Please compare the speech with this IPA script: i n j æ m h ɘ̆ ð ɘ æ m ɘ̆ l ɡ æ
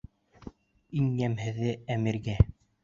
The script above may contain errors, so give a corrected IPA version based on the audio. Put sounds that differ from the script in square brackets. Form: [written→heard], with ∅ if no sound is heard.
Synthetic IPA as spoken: i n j æ m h ɘ̆ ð ɘ æ m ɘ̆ [l→ɾ] ɡ æ